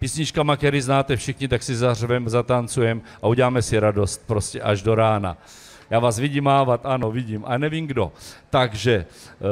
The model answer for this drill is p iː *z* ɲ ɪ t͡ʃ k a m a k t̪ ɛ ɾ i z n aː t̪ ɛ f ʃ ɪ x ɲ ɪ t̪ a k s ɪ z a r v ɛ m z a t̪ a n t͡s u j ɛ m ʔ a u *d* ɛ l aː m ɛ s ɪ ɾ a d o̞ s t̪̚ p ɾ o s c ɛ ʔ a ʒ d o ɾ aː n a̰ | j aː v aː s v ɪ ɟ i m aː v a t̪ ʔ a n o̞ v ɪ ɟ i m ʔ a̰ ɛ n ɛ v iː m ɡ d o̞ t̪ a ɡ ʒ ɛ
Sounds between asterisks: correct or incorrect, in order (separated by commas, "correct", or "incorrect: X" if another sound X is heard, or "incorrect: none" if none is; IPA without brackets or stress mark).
incorrect: s, incorrect: ɟ